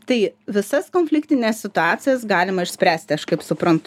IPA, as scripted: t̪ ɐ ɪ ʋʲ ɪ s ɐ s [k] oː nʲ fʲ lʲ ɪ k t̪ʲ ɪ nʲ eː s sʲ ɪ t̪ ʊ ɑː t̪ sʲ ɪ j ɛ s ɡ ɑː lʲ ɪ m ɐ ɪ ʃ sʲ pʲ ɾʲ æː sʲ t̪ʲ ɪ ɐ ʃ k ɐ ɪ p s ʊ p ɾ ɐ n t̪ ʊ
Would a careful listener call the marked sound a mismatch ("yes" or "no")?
no